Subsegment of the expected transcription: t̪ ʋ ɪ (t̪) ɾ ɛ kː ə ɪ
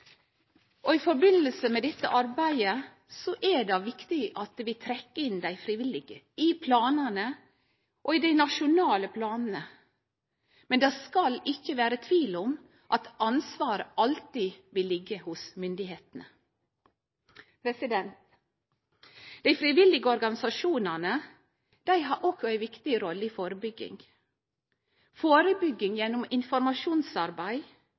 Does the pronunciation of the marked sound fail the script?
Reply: yes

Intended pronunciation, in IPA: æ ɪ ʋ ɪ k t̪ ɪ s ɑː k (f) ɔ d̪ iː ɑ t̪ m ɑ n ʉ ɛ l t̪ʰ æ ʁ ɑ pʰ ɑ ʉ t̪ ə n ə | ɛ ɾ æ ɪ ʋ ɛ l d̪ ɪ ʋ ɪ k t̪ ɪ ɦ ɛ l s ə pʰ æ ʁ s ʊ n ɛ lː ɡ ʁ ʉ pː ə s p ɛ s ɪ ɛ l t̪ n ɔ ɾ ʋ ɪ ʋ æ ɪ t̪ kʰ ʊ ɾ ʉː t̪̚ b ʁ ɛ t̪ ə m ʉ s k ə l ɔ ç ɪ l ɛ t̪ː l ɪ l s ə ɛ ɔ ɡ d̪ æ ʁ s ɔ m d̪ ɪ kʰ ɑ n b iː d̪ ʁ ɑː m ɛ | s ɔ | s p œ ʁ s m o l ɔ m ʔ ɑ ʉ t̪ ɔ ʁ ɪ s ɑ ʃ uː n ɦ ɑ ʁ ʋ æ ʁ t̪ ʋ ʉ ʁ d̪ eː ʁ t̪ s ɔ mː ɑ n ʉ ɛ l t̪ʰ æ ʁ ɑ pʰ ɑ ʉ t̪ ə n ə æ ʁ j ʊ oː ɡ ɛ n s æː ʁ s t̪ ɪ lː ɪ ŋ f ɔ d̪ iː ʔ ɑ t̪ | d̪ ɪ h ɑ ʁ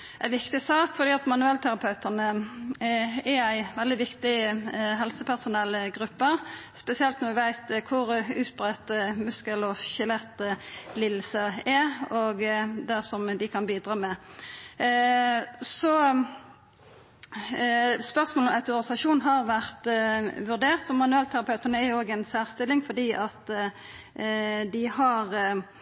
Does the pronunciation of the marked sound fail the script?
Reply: no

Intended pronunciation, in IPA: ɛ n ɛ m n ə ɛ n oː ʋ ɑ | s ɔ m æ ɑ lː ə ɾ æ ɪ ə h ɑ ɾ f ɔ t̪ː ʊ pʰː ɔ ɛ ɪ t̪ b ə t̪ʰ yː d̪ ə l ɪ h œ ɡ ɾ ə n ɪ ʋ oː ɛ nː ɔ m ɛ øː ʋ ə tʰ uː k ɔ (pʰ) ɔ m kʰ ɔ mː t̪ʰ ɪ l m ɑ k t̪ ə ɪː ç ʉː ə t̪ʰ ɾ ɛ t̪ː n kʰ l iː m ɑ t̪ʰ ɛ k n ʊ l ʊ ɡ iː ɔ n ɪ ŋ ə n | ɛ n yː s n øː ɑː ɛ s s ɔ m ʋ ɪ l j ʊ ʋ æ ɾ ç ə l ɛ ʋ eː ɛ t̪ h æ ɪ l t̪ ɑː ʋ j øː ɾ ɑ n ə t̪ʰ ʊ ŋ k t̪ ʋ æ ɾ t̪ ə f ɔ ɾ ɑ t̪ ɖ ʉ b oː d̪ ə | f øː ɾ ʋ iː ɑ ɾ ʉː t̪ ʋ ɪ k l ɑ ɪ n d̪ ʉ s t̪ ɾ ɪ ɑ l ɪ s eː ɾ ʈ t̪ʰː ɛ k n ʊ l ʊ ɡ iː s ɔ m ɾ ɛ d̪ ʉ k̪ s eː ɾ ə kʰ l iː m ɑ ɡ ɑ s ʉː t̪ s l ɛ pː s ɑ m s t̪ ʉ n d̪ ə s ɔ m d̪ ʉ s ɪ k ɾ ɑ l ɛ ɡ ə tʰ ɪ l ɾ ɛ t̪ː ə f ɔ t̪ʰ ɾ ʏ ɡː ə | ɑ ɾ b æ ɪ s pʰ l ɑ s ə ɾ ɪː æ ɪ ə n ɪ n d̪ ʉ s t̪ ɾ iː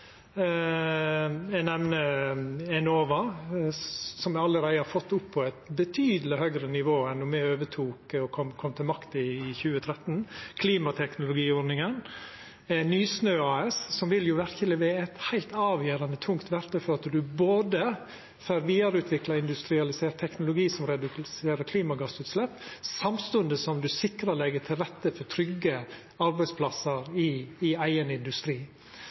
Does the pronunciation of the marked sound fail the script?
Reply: yes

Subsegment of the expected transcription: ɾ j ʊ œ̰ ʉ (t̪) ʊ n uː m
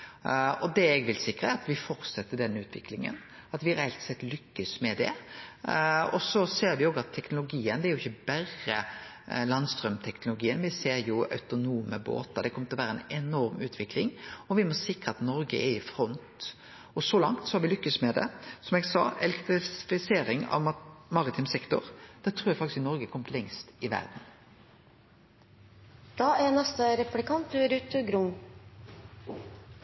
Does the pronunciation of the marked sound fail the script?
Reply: no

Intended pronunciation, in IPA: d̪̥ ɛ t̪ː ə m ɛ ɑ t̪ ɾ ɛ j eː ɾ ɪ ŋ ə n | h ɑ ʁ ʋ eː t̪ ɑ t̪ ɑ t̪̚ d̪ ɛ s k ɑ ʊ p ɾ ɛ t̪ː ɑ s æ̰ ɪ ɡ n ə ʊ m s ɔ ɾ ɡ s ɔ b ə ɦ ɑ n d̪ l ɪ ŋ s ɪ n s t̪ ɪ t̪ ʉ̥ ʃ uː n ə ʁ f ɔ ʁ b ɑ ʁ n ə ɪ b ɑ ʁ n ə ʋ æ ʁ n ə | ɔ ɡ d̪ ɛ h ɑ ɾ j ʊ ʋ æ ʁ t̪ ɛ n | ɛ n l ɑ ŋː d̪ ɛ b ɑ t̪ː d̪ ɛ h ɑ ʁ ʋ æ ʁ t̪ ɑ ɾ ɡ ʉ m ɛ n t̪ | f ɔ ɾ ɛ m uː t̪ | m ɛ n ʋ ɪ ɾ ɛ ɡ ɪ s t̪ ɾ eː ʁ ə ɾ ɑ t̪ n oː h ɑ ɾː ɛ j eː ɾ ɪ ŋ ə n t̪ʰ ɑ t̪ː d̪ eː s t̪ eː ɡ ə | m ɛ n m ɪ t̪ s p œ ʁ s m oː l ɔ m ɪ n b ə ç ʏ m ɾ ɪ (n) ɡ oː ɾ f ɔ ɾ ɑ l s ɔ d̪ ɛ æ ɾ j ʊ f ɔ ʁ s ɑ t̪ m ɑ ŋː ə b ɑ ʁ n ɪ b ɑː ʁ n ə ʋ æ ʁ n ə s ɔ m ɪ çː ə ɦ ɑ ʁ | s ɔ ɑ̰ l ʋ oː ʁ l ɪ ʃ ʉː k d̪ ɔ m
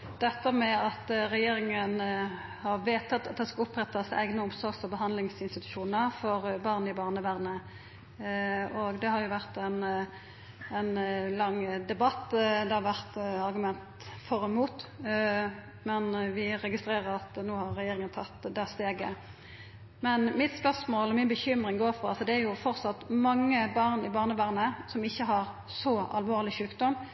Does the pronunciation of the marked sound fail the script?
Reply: yes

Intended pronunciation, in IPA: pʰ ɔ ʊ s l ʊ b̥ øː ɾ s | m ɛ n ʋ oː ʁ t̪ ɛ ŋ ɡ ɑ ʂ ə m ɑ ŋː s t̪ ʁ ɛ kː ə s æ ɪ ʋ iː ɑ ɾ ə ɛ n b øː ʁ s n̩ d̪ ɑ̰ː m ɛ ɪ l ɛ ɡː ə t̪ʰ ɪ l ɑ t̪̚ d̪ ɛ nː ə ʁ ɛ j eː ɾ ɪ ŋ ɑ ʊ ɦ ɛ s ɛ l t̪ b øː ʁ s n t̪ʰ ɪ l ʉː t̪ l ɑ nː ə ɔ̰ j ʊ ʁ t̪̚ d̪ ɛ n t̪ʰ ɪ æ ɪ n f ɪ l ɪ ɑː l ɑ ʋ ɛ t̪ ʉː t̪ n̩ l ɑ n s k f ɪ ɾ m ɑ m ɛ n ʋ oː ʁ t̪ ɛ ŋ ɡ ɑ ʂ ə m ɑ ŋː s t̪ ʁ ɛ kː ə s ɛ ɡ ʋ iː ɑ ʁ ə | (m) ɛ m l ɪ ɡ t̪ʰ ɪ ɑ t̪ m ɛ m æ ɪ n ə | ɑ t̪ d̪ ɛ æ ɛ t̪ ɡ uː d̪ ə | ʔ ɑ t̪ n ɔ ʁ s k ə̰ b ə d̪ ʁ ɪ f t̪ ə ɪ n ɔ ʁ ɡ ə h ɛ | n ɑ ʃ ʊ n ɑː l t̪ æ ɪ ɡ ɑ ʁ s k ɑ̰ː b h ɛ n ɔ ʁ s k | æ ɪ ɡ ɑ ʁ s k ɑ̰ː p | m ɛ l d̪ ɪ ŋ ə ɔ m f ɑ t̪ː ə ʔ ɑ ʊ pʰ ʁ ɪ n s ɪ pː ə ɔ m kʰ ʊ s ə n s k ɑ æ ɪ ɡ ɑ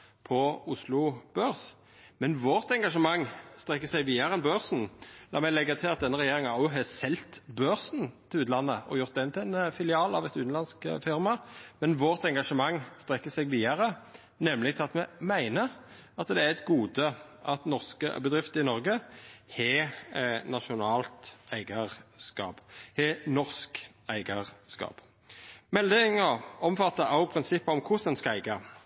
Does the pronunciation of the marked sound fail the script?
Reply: yes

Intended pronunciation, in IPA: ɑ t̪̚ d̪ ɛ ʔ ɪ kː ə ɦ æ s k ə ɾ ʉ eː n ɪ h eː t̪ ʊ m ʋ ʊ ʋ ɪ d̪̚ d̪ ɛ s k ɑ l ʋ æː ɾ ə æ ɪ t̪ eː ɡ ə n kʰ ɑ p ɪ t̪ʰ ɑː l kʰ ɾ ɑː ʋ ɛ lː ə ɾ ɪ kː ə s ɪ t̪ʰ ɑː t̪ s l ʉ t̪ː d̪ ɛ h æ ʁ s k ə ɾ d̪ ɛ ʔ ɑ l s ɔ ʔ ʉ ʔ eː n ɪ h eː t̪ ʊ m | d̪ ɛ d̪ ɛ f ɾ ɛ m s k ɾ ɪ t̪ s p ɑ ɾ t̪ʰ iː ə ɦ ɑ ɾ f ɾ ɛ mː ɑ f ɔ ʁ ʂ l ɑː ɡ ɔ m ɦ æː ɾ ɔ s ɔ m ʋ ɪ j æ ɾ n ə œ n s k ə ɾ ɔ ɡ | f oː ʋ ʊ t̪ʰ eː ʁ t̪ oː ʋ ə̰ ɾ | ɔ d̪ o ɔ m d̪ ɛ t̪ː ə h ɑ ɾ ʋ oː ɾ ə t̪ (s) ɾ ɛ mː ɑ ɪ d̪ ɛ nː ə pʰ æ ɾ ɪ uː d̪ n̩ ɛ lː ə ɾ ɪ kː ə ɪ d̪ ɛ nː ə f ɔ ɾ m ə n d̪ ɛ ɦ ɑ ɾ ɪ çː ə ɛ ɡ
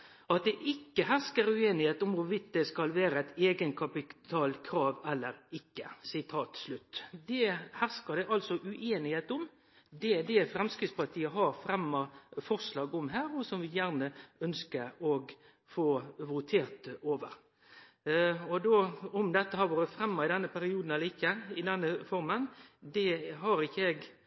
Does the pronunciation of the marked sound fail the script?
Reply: yes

